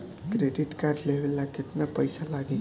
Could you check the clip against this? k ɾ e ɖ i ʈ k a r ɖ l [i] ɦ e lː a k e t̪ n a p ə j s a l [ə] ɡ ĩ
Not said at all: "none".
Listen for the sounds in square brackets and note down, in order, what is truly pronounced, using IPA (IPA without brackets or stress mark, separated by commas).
e, a